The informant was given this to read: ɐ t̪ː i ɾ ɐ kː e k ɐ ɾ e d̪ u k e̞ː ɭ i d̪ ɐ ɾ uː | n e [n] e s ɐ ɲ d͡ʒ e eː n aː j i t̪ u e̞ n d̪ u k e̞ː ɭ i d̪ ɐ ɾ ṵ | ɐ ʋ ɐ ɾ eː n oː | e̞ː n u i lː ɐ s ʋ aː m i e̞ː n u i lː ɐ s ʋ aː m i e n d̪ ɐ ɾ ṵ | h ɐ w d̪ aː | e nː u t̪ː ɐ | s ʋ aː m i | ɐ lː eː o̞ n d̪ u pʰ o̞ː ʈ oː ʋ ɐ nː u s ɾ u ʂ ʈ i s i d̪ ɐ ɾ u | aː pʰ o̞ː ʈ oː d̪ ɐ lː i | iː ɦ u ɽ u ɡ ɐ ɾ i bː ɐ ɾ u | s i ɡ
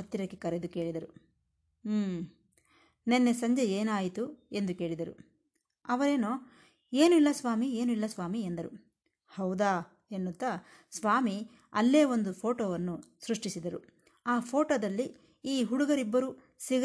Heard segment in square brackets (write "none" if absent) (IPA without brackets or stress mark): nː